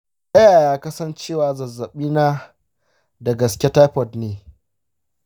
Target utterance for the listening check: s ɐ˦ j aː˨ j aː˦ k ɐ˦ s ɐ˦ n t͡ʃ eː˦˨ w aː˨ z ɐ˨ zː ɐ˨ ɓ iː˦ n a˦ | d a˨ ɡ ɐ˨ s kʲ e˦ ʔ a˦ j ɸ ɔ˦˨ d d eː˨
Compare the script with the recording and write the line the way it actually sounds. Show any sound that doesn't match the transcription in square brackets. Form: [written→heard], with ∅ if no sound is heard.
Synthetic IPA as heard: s ɐ˦ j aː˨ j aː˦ k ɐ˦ s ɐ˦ n t͡ʃ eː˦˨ w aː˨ z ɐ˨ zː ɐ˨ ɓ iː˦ n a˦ | d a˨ ɡ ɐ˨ s kʲ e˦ [ʔ→t] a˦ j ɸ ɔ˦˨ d [d→n] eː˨